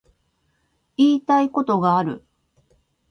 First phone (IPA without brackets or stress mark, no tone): iː